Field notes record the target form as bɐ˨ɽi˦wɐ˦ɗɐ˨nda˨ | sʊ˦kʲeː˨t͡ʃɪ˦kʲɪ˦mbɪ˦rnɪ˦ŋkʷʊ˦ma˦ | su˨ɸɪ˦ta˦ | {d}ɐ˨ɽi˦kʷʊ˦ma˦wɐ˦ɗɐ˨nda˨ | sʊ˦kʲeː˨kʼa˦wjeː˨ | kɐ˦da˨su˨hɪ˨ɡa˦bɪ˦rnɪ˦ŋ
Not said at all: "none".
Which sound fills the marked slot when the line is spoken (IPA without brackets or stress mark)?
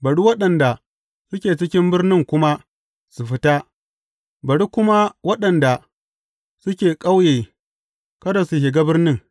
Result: b